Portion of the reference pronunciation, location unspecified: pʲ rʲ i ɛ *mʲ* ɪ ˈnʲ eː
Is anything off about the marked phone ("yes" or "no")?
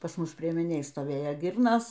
no